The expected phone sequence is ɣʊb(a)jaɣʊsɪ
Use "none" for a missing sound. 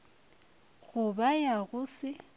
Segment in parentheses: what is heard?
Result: a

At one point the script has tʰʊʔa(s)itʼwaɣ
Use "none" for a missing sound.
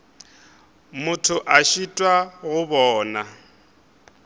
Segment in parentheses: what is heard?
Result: ʃ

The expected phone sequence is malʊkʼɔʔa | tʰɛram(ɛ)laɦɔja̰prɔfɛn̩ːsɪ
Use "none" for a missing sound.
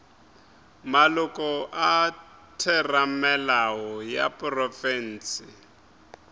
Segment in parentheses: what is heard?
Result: ɛ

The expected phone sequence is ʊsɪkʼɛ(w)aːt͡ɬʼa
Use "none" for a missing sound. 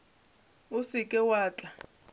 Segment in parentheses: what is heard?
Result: w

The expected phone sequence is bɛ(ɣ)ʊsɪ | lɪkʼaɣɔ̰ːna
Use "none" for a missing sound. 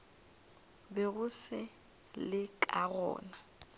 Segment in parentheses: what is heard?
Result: ɣ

